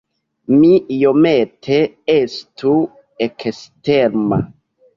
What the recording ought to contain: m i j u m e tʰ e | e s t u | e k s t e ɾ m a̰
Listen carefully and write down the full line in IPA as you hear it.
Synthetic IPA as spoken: m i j o m e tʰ e | e s t u | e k s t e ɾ m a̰